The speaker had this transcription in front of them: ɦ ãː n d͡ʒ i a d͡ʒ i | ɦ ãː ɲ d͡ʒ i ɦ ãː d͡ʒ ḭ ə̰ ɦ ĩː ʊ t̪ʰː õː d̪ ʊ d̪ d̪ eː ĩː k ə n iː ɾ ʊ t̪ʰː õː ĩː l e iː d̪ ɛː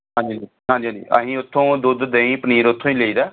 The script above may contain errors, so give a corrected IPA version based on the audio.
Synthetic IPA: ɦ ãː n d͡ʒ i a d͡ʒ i | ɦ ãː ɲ d͡ʒ i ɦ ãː d͡ʒ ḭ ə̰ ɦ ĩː ʊ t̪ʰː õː d̪ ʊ d̪ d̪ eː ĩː p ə n iː ɾ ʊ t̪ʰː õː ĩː l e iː d̪ aː